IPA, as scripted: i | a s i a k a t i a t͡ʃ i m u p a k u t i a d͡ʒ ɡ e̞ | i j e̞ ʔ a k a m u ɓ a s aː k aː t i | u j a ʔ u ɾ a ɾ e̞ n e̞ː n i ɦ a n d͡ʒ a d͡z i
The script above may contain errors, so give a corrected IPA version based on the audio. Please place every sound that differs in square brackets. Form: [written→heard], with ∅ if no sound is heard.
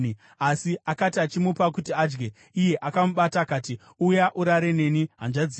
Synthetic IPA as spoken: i | a s i a k a t i a t͡ʃ i m u p a k u t i a d͡ʒ ɡ e̞ | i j e̞ ʔ a k a m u ɓ a [s→t] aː k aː t i | u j a ʔ u ɾ a ɾ e̞ n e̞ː n i ɦ a n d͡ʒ a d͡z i